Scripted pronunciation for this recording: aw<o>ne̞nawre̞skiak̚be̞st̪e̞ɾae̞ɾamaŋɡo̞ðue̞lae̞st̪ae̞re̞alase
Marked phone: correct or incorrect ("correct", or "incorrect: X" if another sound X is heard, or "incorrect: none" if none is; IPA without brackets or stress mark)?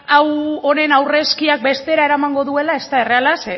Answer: correct